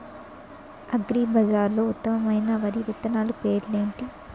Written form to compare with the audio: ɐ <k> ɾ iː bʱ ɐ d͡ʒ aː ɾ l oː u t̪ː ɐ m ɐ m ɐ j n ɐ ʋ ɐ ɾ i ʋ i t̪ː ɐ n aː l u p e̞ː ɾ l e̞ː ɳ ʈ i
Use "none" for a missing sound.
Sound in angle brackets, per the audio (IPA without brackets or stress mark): ɡ